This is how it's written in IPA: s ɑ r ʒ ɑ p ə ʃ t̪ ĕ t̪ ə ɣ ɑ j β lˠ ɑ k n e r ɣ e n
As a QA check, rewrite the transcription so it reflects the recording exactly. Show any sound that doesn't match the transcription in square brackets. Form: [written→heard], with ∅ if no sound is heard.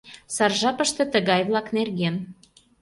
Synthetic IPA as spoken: s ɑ r ʒ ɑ p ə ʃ t̪ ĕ t̪ ə ɣ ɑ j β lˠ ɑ k n e r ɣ e n